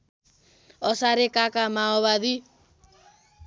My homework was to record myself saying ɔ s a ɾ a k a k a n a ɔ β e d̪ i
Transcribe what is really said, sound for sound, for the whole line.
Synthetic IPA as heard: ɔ s a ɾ e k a k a m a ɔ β a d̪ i

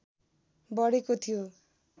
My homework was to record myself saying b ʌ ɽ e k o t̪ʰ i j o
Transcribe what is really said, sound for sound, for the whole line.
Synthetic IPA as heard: b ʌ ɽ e k o t̪ʰ i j o

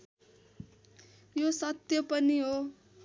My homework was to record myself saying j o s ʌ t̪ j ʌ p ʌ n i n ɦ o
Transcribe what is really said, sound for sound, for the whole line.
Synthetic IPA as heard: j o s ʌ t̪ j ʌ p ʌ n i ɦ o

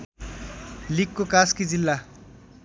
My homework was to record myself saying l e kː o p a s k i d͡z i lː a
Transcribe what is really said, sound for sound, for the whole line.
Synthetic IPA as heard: l i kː o k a s k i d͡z i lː a

